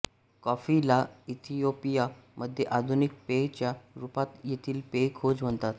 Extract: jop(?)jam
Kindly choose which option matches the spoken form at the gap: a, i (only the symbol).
i